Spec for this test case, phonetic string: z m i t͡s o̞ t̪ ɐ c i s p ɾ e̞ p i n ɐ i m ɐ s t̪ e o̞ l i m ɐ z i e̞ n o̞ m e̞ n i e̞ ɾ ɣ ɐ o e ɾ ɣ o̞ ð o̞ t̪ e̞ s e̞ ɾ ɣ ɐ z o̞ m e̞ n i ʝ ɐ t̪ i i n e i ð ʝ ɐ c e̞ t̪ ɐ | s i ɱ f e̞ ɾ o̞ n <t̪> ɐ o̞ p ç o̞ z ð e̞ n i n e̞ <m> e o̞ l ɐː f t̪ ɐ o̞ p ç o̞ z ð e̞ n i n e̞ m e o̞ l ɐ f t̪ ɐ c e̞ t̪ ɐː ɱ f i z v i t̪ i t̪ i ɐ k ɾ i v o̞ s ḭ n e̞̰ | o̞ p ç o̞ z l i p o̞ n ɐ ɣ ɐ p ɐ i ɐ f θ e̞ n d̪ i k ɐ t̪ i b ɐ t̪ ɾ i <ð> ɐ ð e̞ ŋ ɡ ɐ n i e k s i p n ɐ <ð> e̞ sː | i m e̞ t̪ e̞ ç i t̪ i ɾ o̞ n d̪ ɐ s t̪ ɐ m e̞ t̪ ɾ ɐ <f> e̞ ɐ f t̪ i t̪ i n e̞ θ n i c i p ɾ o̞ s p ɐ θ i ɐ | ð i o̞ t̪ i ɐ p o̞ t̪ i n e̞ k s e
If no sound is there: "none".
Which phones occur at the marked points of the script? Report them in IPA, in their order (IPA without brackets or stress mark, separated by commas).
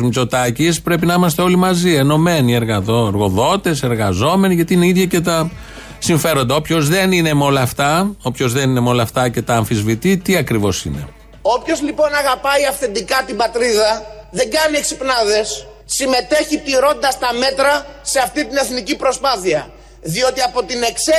d̪, m, ð, ð, s